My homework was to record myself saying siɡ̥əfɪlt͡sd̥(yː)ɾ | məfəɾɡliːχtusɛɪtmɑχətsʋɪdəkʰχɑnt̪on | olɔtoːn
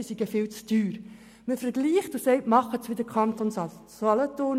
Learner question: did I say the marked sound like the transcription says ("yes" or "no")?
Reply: yes